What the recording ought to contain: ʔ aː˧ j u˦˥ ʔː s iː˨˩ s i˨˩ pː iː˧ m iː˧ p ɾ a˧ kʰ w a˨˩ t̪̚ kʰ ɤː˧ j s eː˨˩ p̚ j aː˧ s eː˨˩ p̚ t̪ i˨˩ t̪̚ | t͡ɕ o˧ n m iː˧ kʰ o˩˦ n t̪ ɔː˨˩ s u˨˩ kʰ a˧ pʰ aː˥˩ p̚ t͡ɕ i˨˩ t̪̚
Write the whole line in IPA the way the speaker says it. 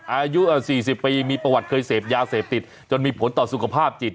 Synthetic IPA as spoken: ʔ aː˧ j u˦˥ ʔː s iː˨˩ s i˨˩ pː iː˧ m iː˧ p ɾ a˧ w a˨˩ t̪̚ kʰ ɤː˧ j s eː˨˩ p̚ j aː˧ s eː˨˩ p̚ t̪ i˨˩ t̪̚ | t͡ɕ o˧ n m iː˧ pʰ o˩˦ n t̪ ɔː˨˩ s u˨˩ kʰ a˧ pʰ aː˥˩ p̚ t͡ɕ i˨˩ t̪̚